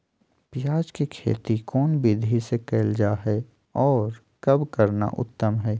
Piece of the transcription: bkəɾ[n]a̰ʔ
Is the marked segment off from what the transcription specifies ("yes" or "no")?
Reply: no